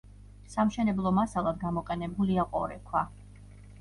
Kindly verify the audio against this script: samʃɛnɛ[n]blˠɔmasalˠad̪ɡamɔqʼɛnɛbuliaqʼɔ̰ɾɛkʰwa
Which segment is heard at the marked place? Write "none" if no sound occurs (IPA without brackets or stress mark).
none